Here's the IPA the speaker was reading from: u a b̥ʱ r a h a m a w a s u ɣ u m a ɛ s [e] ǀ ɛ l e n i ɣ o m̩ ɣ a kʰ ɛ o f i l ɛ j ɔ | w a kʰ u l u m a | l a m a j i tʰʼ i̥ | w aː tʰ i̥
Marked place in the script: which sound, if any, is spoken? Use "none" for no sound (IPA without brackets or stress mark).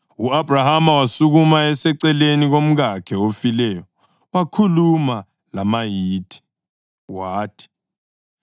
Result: ɛ